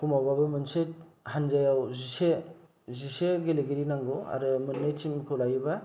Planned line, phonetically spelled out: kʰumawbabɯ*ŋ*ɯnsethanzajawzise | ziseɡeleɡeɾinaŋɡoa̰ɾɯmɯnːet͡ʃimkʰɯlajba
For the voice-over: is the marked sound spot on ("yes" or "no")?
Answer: no